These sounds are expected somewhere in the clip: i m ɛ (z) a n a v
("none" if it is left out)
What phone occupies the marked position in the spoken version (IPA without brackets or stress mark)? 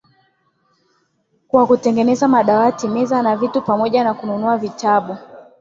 z